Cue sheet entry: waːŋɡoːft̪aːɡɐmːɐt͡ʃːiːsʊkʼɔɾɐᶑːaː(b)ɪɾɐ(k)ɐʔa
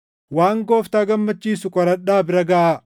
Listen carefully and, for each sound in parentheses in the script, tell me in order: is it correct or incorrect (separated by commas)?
correct, incorrect